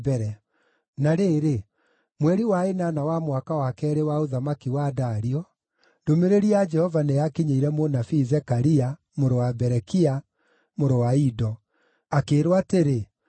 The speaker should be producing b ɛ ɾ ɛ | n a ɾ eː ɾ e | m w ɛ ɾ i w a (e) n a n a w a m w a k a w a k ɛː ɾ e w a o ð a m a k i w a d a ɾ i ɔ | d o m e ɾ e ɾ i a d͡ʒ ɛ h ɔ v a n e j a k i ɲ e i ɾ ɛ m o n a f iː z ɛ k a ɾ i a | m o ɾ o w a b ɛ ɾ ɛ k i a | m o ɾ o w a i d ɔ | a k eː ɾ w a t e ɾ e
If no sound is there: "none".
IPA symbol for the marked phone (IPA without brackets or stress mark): e